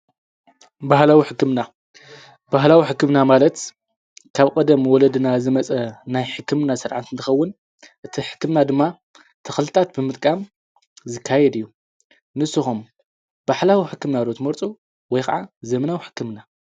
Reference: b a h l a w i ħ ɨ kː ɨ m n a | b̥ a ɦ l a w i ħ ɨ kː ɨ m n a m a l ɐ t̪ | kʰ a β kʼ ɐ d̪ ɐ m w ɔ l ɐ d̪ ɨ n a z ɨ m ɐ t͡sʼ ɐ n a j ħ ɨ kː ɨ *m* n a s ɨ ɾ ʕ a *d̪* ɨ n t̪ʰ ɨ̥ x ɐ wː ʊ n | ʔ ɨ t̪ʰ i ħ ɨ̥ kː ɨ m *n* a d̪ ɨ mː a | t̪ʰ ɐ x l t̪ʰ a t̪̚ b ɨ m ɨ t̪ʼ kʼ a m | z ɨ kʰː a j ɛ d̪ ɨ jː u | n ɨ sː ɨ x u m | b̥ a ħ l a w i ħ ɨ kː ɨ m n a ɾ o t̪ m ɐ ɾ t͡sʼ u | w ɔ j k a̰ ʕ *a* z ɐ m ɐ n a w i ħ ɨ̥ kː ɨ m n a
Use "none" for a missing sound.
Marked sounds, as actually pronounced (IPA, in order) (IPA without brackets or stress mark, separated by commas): m, t̪, n, a